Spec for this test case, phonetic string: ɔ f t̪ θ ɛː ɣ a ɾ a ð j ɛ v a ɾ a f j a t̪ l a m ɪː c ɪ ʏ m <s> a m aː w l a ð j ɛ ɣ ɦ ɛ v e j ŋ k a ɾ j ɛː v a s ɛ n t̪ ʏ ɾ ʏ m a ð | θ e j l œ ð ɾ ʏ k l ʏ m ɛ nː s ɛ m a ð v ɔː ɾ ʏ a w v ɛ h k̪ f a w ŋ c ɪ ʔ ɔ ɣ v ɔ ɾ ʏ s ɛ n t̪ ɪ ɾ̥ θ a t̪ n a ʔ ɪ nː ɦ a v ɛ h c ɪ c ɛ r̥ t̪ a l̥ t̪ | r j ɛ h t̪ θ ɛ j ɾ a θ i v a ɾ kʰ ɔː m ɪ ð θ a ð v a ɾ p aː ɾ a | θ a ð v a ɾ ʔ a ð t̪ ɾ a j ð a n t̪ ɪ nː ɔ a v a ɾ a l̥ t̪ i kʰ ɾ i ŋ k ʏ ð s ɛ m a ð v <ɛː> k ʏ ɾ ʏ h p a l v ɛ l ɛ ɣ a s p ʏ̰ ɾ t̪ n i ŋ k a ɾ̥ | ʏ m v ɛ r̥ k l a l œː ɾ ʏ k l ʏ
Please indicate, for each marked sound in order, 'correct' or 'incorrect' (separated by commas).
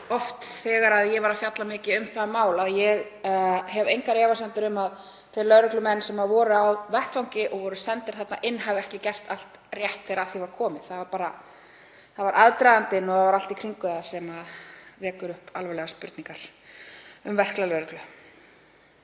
incorrect, correct